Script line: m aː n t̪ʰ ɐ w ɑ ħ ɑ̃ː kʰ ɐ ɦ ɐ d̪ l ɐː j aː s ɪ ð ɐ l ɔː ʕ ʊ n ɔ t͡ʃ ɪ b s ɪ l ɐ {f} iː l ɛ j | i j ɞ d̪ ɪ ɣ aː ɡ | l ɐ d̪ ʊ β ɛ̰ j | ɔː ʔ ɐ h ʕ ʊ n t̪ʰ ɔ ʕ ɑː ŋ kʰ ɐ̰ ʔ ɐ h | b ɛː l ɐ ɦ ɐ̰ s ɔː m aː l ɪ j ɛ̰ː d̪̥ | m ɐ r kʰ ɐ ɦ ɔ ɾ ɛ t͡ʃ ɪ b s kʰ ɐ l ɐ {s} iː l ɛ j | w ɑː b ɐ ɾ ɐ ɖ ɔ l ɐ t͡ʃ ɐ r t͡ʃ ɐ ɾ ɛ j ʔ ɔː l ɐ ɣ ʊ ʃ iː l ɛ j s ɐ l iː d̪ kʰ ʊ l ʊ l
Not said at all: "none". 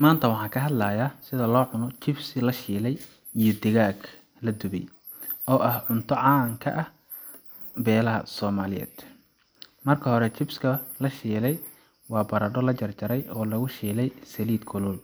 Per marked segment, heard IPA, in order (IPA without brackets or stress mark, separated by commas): ʃ, ʃ